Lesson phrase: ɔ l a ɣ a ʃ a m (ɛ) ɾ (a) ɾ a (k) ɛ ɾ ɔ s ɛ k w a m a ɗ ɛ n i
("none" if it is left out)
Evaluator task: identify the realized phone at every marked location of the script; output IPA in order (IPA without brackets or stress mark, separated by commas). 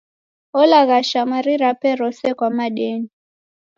a, i, p